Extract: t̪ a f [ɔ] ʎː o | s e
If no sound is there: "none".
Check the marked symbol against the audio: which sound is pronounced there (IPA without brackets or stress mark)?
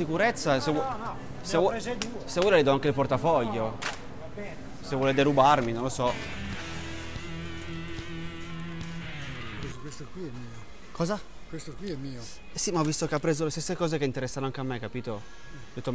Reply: ɔ